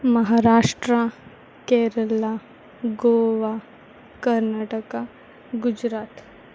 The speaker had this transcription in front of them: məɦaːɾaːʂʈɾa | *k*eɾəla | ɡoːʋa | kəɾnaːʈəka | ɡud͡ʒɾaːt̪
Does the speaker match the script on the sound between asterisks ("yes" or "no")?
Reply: yes